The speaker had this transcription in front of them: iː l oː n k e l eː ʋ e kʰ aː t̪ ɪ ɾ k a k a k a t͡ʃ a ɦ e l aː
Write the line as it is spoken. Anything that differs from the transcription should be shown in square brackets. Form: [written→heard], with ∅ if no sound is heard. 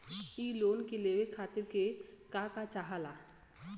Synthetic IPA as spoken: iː l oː n k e l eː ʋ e kʰ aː t̪ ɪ ɾ k [a→e] k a k a t͡ʃ a ɦ [e→a] l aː